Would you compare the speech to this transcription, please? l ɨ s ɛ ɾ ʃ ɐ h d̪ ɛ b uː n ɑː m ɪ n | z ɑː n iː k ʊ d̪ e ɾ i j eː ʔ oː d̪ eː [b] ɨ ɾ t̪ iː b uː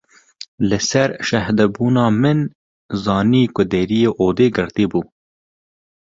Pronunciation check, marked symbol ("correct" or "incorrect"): incorrect